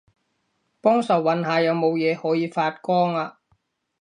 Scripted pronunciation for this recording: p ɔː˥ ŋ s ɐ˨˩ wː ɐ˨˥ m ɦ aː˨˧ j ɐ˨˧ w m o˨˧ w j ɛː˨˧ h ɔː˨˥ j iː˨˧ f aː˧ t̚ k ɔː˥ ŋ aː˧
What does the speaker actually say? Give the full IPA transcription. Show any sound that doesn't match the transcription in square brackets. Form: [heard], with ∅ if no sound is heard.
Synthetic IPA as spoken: p ɔː˥ ŋ s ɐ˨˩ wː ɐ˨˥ [n] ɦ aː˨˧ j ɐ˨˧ w m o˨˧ w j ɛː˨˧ h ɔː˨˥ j iː˨˧ f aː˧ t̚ k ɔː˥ ŋ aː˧